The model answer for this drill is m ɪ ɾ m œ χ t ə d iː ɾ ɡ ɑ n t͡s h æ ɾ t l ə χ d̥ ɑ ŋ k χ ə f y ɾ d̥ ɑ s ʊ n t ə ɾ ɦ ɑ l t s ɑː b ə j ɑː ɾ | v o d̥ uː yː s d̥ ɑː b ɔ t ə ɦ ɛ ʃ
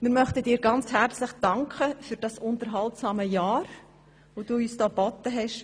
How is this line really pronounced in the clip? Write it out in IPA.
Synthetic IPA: m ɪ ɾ m œ χ t ə d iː ɾ ɡ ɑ n t͡s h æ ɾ t͡s l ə χ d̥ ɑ ŋ k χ ə f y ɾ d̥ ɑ s ʊ n t ə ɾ ɦ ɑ l t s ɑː m ə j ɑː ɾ | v o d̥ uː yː s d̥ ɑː b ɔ t ə ɦ ɛ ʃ